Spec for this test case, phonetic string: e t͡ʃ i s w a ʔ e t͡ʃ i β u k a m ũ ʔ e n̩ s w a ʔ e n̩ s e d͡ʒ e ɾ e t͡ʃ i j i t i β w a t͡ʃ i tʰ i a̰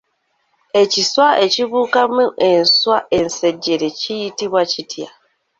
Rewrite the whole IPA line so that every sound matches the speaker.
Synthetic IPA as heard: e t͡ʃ i s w a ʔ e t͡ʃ i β u k a m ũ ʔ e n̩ s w a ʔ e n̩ s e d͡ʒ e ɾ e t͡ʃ i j i t i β w a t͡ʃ i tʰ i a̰